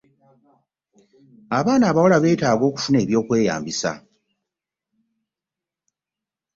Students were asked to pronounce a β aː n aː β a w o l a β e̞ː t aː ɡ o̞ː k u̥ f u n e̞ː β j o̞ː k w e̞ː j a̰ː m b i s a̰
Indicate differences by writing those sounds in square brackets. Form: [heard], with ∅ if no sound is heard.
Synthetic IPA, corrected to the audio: a β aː n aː β a w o l a β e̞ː t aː ɡ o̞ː k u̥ f u n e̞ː β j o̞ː k w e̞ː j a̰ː m b i s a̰

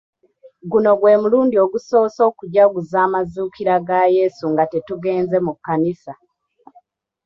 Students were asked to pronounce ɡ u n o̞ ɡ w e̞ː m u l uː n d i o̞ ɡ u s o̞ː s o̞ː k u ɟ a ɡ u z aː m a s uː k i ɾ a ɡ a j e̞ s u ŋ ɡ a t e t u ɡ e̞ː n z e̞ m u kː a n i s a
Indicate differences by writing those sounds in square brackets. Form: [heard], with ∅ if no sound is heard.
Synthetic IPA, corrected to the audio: ɡ u n o̞ ɡ w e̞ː m u l uː n d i o̞ ɡ u s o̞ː s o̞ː k u ɟ a ɡ u z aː m a [z] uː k i ɾ a ɡ a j e̞ s u ŋ ɡ a t e t u ɡ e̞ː n z e̞ m u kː a n i s a

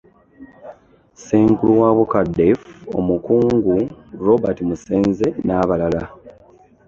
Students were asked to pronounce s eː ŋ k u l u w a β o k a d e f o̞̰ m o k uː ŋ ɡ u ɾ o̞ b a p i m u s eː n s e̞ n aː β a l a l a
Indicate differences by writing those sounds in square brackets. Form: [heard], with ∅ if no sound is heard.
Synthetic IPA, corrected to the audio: s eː ŋ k u l u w a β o k a d e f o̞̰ m [u] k uː ŋ ɡ u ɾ o̞ b a [t] i m u s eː n [z] e̞ n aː β a l a l a

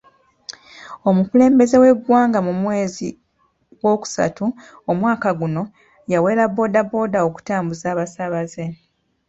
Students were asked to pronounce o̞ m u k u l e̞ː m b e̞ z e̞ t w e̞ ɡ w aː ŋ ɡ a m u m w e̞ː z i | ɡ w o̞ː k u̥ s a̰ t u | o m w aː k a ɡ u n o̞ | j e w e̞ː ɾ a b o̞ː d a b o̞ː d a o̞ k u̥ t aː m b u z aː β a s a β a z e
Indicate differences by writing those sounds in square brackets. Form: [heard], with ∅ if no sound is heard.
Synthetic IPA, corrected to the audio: o̞ m u k u l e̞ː m b e̞ z e̞ [∅] w e̞ ɡ w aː ŋ ɡ a m u m w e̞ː z i | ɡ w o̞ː k u̥ s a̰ t u | o m w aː k a ɡ u n o̞ | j [a] w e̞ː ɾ a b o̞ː d a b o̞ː d a o̞ k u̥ t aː m b u z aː β a s a β a z e

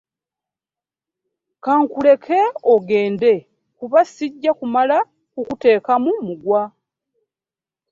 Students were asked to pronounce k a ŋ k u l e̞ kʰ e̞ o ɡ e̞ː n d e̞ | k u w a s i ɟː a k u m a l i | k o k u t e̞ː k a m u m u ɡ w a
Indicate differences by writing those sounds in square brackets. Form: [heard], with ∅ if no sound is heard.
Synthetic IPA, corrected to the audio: k a ŋ k u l e̞ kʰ e̞ o ɡ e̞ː n d e̞ | k u [β] a s i ɟː a k u m a l [a] | k [u] k u t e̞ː k a m u m u ɡ w a

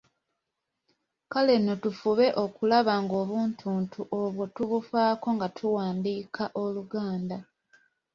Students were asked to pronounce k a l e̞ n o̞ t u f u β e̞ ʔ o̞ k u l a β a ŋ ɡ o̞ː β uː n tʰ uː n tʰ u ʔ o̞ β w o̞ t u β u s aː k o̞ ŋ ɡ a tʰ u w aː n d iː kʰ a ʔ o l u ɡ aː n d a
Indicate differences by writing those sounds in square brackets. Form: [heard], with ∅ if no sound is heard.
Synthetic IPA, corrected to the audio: k a l e̞ n o̞ t u f u β e̞ ʔ o̞ k u l a β a ŋ ɡ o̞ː β uː n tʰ uː n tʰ u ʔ o̞ β w o̞ t u β u [f] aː k o̞ ŋ ɡ a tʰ u w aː n d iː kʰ a ʔ o l u ɡ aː n d a

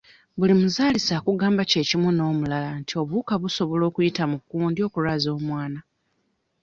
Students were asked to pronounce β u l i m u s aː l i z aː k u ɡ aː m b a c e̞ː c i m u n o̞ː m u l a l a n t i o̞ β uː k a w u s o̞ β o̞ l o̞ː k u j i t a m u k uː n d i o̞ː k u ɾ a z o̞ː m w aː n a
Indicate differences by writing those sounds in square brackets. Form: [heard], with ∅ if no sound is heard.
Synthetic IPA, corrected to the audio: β u l i m u [z] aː l i [s] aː k u ɡ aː m b a c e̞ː c i m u n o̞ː m u l a l a n t i o̞ β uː k a [β] u s o̞ β o̞ l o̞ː k u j i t a m u k uː n d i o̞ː k u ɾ a z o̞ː m w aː n a

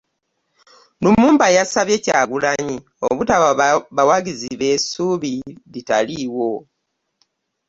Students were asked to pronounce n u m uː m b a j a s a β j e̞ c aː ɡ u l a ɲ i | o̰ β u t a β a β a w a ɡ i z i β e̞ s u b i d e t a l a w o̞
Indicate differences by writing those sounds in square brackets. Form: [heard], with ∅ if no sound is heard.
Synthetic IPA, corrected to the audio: n u m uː m b a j a s a β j e̞ c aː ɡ u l a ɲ i | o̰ β u t a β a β a w a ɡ i z i β e̞ s u [β] i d [i] t a l [i] w o̞

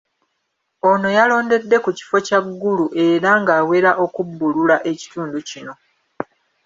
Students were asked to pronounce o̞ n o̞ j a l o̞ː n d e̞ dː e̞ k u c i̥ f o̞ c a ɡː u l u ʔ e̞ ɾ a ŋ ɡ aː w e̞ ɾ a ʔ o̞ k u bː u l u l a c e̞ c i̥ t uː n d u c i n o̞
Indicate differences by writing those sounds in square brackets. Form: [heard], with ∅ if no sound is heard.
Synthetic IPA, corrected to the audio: o̞ n o̞ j a l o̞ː n d e̞ dː e̞ k u c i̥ f o̞ c a ɡː u l u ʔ e̞ ɾ a ŋ ɡ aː w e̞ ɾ a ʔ o̞ k u bː u l u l a [ʔ] e̞ c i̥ t uː n d u c i n o̞

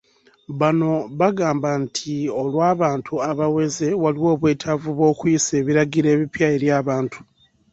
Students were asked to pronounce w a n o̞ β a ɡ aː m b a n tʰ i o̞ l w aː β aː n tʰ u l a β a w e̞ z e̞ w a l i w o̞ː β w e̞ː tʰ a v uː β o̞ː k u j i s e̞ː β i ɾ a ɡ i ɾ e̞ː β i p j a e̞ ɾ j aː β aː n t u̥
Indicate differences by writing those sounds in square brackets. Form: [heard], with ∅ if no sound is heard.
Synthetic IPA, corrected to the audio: [β] a n o̞ β a ɡ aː m b a n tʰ i o̞ l w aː β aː n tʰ u [∅] a β a w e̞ z e̞ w a l i w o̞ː β w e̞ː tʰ a v [u] β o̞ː k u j i s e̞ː β i ɾ a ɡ i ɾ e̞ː β i p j a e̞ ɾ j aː β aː n t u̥

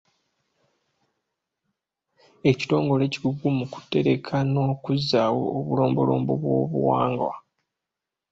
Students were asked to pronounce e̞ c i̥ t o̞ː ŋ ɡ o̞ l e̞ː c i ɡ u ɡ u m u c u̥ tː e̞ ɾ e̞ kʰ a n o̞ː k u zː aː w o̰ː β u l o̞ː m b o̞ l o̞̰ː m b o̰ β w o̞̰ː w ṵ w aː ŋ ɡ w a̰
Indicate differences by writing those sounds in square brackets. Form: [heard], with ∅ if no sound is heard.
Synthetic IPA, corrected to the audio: e̞ c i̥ t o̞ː ŋ ɡ o̞ l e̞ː c i ɡ u ɡ u m u [k] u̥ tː e̞ ɾ e̞ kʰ a n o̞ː k u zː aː w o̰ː β u l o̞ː m b o̞ l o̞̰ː m b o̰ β w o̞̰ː [β] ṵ w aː ŋ ɡ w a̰

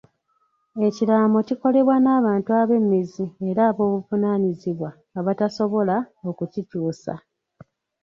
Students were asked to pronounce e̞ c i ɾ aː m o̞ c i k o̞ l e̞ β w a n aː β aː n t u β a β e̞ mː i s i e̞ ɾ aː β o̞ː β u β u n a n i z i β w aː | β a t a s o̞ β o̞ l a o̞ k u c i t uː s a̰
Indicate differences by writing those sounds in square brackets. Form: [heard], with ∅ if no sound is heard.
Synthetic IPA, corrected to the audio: e̞ c i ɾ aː m o̞ c i k o̞ l e̞ β w a n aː β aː n t u [∅] a β e̞ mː i [z] i e̞ ɾ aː β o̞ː β u [v] u n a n i z i β w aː | β a t a s o̞ β o̞ l a o̞ k u c i t uː s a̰

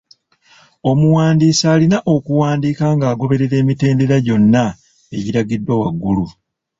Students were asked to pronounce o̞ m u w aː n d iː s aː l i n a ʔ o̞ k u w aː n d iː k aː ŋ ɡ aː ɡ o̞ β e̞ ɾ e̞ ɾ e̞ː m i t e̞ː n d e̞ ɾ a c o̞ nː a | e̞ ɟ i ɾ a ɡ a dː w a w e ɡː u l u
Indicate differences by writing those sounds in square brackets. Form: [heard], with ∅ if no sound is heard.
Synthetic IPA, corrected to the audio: o̞ m u w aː n d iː s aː l i n a ʔ o̞ k u w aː n d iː k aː ŋ ɡ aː ɡ o̞ β e̞ ɾ e̞ ɾ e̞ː m i t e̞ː n d e̞ ɾ a [ɟ] o̞ nː a | e̞ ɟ i ɾ a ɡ [i] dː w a w [a] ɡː u l u

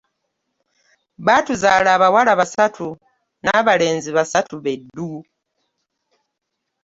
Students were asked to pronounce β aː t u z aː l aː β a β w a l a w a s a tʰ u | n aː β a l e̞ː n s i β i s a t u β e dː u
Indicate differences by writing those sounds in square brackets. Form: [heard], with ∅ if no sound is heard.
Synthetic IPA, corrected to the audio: β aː t u z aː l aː β a [∅] w a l a [β] a s a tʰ u | n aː β a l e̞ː n [z] i β [a] s a t u β e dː u

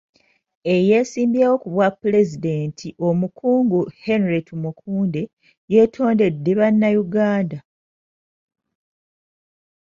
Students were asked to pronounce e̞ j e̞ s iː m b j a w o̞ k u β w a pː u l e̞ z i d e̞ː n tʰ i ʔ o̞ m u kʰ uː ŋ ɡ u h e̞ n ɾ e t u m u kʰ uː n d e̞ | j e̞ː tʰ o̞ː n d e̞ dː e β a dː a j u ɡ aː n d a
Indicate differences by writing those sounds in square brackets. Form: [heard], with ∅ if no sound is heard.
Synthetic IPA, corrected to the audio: e̞ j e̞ s iː m b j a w o̞ k u β w a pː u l e̞ z i d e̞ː n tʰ i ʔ o̞ m u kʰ uː ŋ ɡ u h e̞ n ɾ e t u m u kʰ uː n d e̞ | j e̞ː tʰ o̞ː n d e̞ dː e β a [nː] a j u ɡ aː n d a

